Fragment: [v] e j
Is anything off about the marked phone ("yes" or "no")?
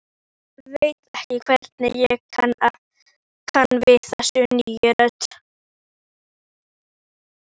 no